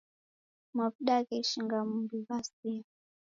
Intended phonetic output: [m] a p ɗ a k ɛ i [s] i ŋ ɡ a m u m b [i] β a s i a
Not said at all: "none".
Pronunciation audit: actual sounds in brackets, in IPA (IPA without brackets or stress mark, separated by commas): m, ʃ, i